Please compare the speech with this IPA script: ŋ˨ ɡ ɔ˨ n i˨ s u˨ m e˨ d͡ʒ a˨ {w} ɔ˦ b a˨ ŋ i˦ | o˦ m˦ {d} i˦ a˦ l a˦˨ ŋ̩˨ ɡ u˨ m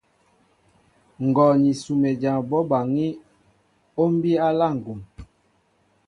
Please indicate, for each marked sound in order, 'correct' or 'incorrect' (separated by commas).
incorrect, incorrect